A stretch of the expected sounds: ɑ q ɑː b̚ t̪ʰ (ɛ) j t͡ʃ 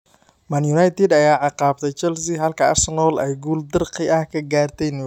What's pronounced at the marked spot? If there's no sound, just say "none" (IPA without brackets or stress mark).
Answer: ɛ